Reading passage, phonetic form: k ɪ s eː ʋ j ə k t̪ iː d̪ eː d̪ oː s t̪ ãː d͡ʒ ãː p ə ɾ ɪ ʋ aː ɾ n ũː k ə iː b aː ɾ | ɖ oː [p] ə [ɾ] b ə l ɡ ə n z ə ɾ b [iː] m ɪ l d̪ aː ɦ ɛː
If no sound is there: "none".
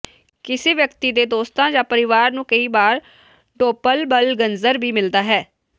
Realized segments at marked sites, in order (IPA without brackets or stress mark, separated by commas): p, l, iː